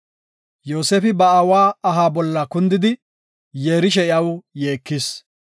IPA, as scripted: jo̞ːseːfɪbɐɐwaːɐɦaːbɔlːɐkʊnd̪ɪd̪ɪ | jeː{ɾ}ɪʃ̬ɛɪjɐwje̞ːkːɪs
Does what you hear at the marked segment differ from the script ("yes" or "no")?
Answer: no